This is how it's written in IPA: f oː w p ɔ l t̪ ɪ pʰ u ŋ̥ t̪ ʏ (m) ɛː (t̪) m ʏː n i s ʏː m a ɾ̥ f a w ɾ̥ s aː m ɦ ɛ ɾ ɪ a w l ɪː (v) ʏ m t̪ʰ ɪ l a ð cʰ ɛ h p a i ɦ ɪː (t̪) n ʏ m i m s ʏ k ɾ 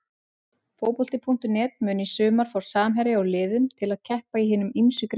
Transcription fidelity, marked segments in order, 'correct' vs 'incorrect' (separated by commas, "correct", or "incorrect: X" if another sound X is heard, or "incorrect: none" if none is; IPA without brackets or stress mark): incorrect: n, correct, incorrect: ð, incorrect: none